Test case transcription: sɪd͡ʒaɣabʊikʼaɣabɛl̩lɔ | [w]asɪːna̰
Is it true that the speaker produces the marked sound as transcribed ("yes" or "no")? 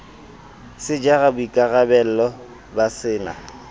no